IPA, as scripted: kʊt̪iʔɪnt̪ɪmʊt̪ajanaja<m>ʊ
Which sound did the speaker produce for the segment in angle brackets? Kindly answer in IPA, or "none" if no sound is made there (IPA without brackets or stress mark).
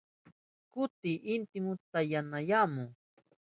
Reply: m